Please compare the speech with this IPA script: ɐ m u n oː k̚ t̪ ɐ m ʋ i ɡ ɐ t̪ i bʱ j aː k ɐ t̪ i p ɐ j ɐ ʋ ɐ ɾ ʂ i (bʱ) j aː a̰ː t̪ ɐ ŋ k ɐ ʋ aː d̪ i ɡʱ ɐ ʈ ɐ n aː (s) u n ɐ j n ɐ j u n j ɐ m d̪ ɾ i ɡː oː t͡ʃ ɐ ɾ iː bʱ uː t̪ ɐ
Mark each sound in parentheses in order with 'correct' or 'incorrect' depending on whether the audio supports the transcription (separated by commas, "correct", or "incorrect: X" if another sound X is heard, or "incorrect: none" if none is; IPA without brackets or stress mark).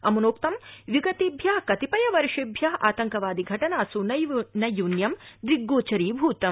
correct, correct